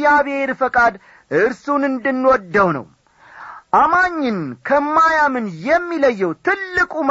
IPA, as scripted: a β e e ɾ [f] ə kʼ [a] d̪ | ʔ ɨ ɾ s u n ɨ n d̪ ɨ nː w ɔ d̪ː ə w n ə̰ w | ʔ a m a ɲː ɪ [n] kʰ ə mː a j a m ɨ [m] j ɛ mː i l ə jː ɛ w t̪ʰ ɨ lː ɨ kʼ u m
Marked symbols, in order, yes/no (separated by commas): yes, yes, yes, no